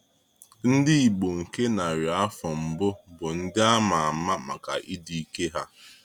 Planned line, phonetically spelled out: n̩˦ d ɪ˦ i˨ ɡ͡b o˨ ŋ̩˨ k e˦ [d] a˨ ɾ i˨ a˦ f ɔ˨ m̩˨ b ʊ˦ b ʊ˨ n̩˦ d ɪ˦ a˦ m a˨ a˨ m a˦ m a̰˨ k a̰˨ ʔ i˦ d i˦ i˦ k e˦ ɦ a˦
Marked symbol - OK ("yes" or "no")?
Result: no